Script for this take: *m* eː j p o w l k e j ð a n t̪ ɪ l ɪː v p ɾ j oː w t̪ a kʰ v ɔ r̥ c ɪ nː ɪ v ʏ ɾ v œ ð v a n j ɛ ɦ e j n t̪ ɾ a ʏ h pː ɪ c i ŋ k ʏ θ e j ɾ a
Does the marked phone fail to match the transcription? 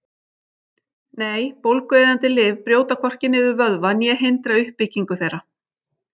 yes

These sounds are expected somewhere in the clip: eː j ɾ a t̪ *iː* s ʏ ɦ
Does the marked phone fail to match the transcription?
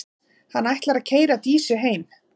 no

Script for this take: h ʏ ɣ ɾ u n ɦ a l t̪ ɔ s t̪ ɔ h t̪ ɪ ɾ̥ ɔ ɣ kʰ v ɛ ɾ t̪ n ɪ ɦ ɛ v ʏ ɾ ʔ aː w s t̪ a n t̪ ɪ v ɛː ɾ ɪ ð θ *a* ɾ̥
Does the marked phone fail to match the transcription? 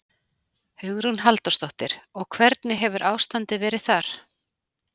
no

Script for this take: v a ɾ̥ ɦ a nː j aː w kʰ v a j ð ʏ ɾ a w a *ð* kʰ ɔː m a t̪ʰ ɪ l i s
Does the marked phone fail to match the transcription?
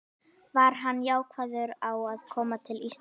no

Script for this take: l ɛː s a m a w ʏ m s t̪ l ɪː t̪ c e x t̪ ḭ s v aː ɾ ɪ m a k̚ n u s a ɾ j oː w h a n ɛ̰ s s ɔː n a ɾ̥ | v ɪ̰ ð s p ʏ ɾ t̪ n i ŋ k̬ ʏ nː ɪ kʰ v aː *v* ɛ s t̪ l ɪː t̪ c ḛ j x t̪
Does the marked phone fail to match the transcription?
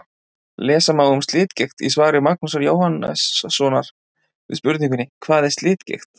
yes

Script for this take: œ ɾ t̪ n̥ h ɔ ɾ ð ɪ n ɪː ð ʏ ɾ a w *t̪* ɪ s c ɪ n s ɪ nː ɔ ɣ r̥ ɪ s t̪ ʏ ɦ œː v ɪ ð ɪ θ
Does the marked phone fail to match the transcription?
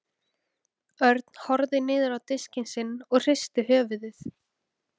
no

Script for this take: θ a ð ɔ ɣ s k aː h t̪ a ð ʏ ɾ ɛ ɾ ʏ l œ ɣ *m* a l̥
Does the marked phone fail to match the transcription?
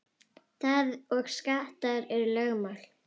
no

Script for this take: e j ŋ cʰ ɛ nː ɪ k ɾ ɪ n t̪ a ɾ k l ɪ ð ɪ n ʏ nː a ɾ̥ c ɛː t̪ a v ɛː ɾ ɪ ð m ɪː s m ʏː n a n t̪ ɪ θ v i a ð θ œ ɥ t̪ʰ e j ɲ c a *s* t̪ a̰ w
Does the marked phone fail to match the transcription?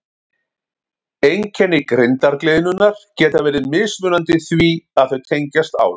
no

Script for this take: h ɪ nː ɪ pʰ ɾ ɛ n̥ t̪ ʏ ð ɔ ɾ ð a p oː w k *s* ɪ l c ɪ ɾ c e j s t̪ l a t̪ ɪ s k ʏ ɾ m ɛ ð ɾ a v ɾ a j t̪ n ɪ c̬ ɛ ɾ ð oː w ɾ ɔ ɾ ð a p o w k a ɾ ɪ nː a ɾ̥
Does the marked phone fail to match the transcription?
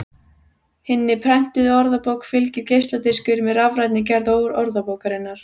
yes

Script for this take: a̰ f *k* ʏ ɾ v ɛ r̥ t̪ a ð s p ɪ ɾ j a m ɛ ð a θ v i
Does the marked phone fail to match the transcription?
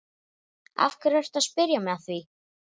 no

